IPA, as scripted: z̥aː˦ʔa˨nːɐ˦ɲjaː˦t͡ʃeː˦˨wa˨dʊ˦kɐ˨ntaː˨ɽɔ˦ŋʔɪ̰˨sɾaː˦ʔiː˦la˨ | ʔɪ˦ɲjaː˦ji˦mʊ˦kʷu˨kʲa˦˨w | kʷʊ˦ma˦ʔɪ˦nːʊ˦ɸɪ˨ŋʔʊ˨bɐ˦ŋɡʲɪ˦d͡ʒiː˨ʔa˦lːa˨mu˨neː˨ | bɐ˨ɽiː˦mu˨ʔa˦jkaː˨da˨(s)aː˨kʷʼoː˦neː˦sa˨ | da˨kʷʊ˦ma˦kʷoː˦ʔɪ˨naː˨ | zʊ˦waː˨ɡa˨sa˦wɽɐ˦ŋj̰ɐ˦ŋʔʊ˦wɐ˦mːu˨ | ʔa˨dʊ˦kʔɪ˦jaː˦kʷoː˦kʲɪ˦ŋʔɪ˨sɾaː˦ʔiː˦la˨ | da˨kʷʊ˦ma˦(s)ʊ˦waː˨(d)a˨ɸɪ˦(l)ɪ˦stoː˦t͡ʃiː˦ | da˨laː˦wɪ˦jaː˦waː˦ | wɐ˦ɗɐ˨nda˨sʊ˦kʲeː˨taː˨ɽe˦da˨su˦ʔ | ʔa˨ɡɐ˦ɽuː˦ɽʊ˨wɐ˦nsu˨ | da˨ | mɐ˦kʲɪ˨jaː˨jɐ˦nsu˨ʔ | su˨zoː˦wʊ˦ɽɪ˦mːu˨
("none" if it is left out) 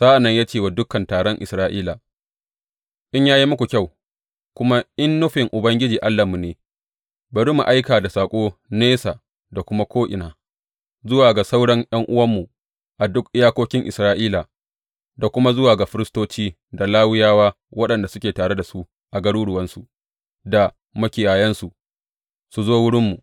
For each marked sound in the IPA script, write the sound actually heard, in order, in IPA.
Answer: s, z, ɡ, ɾ

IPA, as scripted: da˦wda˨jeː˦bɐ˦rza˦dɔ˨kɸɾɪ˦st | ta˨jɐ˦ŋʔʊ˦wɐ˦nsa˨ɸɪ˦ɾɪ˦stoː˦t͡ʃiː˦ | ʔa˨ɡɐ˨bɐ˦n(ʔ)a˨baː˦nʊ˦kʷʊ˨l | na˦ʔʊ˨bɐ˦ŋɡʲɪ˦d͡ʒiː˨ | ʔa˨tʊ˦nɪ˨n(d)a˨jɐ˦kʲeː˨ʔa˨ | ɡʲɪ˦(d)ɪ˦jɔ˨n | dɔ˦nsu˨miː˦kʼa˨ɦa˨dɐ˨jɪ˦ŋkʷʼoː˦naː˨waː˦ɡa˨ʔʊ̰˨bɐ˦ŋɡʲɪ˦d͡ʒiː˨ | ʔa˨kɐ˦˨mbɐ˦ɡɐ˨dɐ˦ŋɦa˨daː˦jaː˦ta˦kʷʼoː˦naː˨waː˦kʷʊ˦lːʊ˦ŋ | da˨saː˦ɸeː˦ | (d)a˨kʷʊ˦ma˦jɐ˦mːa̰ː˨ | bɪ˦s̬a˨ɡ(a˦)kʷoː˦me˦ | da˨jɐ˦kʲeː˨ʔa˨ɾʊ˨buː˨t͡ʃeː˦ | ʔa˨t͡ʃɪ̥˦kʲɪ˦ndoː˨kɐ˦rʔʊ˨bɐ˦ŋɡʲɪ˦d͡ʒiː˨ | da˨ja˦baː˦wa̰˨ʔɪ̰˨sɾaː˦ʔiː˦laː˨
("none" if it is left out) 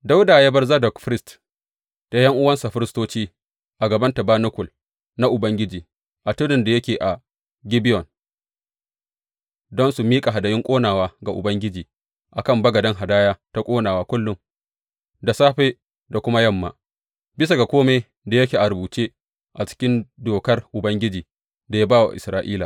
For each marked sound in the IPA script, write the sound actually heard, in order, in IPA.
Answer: t, d, b, d, a˨

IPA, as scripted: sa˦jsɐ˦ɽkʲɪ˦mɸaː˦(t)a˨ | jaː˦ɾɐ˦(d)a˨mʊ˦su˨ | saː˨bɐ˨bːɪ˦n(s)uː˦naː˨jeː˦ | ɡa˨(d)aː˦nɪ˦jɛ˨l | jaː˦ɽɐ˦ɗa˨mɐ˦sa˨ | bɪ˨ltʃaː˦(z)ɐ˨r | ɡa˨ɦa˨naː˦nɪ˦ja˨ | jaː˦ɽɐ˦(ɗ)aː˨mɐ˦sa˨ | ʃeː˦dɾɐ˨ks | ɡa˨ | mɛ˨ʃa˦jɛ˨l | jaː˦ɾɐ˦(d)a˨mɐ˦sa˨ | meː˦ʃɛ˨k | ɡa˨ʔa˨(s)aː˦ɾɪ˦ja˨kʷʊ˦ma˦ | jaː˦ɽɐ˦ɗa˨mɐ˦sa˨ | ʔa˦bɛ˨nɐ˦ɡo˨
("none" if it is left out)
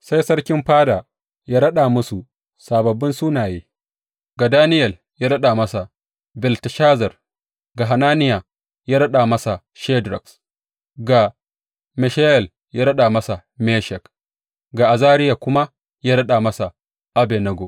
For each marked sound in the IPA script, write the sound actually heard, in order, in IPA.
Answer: d, ɗ, s, d, z, ɗ, ɗ, z

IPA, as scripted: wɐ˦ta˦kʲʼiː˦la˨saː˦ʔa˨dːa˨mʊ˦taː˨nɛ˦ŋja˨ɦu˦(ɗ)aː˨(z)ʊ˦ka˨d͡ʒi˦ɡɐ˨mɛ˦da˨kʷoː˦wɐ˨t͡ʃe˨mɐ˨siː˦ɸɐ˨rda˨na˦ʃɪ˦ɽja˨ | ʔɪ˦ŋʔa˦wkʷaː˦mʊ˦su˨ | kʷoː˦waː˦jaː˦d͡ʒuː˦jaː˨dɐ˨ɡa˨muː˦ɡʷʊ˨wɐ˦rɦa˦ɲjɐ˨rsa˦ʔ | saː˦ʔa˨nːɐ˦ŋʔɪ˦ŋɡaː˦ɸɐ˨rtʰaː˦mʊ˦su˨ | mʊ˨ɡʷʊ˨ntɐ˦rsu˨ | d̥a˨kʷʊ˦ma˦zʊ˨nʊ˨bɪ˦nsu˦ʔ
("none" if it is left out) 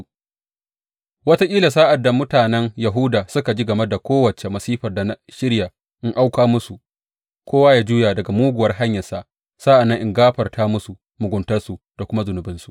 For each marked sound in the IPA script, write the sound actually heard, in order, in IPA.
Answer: d, s

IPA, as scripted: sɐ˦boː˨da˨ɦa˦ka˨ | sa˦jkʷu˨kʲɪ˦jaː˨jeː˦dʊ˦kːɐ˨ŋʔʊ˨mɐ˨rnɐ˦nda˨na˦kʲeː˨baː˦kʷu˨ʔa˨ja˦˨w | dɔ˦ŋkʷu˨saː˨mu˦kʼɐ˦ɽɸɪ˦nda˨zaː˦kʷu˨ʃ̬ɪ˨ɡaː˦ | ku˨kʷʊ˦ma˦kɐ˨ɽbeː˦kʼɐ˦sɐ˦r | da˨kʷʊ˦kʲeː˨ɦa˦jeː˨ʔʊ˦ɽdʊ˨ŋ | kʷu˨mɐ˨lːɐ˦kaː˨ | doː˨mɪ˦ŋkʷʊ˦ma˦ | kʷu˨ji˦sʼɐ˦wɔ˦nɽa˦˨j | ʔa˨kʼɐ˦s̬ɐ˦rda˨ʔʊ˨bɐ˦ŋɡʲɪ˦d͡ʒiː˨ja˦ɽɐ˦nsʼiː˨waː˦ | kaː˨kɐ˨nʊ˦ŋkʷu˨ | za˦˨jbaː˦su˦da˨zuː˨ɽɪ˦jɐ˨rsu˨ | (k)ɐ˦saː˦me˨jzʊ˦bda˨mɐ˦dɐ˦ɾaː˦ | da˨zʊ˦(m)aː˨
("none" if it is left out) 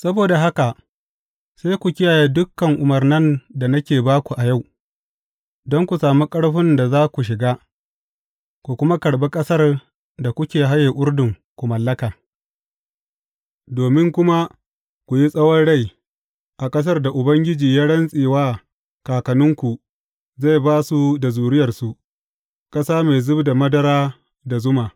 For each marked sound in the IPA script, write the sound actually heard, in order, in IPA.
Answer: kʼ, m

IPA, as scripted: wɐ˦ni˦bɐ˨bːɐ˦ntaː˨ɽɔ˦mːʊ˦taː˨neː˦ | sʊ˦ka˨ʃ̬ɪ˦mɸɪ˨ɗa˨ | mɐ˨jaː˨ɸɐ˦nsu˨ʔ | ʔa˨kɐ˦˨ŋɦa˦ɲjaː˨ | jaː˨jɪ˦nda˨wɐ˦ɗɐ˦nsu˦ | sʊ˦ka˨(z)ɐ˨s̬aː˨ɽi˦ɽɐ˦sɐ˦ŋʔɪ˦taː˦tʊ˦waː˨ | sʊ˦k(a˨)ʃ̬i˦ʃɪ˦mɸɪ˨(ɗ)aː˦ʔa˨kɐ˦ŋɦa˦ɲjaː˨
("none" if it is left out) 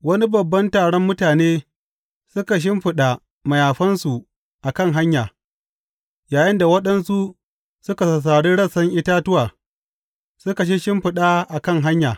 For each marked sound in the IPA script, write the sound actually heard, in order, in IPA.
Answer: s, a˨, ɗ

